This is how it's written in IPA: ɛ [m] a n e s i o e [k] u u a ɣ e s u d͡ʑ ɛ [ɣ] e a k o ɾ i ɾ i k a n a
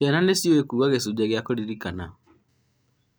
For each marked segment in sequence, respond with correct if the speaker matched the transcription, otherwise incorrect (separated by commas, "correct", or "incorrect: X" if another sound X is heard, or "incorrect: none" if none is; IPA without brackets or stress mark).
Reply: incorrect: n, correct, correct